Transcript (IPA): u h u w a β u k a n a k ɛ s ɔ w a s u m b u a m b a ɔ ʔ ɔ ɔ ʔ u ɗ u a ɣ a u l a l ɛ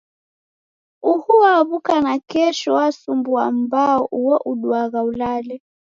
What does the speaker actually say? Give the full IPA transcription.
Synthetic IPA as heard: u h u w a β u k a n a k ɛ ʃ ɔ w a s u m b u a m b a ɔ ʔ u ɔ ʔ u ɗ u a ɣ a u l a l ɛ